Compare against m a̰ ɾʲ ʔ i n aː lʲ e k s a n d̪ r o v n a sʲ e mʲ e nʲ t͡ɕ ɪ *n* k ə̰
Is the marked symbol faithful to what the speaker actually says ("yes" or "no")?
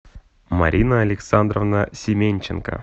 yes